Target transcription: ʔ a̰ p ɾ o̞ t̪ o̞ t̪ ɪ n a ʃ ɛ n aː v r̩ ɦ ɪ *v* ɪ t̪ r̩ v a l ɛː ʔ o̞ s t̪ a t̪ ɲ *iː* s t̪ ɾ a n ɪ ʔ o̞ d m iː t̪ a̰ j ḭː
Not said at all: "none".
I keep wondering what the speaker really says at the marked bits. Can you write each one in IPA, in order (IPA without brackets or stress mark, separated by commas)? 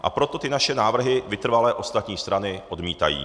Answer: v, iː